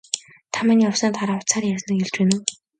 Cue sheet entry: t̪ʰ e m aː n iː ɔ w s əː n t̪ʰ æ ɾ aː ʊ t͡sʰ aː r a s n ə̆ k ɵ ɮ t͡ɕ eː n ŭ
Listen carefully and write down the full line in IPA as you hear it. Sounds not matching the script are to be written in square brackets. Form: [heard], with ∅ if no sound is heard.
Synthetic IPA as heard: t̪ʰ [a] m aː n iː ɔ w s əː n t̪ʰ [a] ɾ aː ʊ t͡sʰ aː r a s n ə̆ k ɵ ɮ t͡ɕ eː n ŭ